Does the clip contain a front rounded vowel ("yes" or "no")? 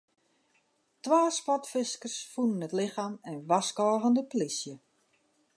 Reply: no